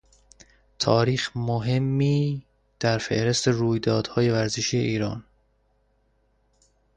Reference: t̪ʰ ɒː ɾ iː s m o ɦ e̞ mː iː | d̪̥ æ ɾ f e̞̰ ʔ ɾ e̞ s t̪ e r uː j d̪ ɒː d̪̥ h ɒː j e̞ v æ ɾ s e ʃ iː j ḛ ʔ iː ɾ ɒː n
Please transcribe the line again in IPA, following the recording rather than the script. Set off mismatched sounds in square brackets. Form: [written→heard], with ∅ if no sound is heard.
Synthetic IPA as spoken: t̪ʰ ɒː ɾ iː [s→x] m o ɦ e̞ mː iː | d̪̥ æ ɾ f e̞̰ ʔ ɾ e̞ s t̪ e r uː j d̪ ɒː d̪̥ h ɒː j e̞ v æ ɾ [s→z] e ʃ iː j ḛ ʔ iː ɾ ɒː n